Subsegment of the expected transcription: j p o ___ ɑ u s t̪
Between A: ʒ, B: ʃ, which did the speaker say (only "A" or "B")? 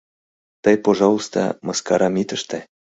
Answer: A